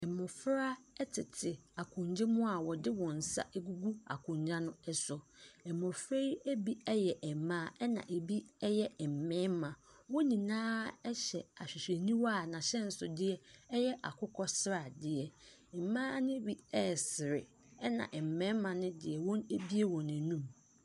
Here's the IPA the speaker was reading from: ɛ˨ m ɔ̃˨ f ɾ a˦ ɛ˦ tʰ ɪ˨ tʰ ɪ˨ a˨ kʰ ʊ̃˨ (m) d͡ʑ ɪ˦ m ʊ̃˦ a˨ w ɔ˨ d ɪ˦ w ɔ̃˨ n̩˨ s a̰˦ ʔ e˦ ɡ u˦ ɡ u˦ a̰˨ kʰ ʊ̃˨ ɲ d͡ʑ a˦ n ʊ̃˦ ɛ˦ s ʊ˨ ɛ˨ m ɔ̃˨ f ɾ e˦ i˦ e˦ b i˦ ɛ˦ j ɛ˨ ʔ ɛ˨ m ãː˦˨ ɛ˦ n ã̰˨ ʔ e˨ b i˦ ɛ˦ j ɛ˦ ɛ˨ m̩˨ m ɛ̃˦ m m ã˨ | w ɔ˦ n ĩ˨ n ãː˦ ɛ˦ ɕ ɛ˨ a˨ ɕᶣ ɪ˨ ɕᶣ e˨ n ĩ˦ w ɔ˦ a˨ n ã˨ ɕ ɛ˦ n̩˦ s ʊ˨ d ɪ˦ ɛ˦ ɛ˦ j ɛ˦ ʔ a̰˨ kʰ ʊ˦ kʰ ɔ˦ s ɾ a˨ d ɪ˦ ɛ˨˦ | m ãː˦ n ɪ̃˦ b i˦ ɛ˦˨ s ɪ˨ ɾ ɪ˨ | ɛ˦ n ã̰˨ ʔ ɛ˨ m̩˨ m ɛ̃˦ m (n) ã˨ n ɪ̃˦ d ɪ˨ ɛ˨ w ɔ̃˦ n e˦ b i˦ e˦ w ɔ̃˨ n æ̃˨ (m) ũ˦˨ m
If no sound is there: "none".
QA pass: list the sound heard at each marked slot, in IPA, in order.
ɲ, m, n

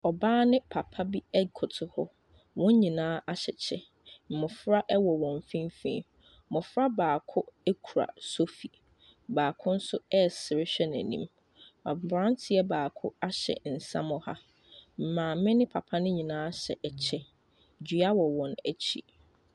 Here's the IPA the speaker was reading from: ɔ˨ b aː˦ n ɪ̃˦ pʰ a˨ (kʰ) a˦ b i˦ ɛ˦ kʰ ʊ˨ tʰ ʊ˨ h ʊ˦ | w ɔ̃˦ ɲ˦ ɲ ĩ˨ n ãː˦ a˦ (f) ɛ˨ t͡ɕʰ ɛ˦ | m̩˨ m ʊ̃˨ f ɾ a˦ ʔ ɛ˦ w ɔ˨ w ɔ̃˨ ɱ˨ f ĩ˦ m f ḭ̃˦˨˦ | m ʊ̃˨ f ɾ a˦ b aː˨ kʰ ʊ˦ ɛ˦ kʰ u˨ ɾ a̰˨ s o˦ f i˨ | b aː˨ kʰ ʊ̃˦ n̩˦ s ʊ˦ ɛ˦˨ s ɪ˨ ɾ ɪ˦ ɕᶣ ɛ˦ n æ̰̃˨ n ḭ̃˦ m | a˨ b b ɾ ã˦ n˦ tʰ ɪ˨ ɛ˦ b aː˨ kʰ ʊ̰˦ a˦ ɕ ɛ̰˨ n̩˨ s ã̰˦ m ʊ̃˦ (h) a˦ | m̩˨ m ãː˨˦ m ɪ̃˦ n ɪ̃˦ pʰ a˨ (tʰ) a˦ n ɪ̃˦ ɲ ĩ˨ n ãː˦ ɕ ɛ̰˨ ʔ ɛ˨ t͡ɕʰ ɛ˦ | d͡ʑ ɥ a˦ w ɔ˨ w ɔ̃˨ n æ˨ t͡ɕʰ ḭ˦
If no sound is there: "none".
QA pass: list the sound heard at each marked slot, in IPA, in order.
pʰ, ɕ, h, pʰ

